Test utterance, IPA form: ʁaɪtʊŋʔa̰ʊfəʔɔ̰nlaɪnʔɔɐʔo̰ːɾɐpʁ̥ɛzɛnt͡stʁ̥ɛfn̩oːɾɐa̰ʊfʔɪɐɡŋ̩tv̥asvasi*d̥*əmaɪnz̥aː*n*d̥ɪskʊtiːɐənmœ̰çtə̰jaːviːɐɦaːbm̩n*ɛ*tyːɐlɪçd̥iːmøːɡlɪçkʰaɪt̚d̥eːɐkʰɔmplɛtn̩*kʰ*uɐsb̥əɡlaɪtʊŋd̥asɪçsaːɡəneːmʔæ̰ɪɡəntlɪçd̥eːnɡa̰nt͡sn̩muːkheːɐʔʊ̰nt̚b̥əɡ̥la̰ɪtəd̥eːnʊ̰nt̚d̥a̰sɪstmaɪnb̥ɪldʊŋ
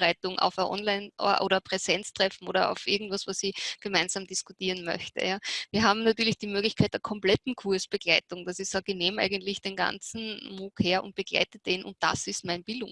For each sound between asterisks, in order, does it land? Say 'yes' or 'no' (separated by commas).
no, no, no, yes